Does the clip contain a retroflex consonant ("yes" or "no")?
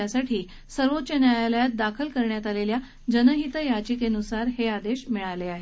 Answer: yes